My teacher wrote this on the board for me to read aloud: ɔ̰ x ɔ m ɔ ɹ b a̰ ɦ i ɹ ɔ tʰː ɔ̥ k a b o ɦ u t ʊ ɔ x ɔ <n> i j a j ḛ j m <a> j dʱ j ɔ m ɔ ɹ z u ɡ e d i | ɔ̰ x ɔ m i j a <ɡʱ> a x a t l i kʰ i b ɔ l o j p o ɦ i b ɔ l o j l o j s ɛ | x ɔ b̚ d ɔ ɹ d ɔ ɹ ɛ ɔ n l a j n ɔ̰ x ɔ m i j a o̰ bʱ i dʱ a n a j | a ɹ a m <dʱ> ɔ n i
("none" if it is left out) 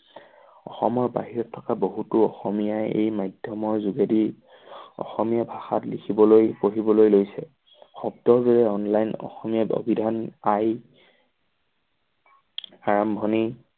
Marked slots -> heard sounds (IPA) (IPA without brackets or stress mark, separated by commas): m, a, bʱ, bʱ